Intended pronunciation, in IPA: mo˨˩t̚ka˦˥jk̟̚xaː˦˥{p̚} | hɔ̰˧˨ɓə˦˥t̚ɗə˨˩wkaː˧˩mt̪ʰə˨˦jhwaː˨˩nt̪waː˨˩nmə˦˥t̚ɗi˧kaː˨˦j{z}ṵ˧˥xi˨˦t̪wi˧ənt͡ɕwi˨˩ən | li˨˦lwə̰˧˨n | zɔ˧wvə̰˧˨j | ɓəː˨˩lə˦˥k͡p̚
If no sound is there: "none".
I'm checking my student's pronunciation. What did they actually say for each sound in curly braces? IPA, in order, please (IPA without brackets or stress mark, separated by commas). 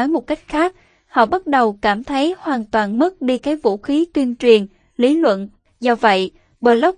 k̚, v